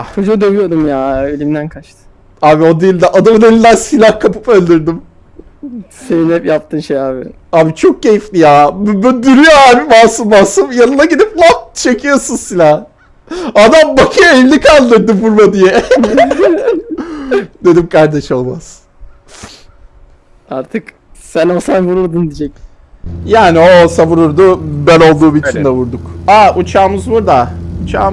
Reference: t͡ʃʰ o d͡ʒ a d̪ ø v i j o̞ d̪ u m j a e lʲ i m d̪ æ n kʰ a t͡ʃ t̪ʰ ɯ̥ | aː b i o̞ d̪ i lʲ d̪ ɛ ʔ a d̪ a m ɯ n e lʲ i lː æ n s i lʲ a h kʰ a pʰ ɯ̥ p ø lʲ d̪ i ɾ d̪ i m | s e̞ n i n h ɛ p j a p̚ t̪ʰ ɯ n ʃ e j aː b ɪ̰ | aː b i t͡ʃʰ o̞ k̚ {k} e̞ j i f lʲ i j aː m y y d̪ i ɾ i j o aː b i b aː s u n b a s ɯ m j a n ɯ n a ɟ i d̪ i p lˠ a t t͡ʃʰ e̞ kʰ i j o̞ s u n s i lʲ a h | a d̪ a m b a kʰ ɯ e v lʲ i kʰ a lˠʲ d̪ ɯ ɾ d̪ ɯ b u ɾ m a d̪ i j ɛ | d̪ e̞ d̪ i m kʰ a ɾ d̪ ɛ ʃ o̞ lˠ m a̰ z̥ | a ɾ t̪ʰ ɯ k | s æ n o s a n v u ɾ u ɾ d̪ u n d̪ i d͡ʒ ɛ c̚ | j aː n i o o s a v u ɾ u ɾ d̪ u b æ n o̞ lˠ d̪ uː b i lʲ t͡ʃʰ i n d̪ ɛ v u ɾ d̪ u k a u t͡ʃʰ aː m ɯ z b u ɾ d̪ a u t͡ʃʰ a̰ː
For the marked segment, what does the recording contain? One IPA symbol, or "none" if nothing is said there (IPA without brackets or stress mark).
c